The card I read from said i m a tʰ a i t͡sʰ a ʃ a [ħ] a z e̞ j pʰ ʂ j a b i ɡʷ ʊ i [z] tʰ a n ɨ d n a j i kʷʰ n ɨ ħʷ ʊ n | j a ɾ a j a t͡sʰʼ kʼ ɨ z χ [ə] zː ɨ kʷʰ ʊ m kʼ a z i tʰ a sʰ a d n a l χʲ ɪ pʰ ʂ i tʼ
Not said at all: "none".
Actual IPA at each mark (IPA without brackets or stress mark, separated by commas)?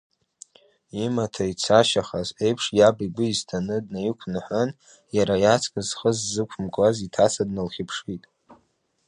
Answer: χ, z, ə